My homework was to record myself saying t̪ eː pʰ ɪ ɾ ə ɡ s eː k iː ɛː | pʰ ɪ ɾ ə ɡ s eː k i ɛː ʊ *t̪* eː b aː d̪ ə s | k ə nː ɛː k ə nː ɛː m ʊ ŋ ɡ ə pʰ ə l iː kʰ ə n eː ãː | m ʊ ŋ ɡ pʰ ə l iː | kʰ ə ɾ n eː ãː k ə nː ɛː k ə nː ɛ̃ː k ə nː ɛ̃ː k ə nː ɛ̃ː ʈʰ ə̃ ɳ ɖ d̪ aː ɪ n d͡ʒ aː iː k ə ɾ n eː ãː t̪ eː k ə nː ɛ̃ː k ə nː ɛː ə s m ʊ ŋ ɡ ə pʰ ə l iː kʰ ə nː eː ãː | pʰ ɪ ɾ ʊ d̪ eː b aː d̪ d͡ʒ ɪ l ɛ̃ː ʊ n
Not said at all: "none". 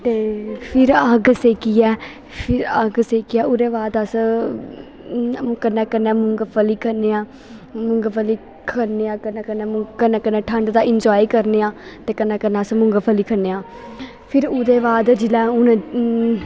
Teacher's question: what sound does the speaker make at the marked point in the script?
d̪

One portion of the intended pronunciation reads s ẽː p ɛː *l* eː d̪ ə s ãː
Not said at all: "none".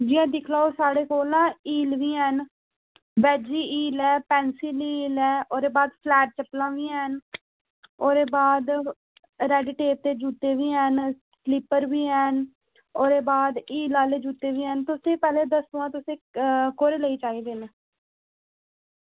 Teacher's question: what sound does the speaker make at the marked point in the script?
l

